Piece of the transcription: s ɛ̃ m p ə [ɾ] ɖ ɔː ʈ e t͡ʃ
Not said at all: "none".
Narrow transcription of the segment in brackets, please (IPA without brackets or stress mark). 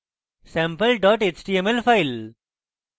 l